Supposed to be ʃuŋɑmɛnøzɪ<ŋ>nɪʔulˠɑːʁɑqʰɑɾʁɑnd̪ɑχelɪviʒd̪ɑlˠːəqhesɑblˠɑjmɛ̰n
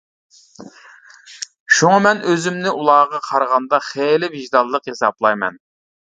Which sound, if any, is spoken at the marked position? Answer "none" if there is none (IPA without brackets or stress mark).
m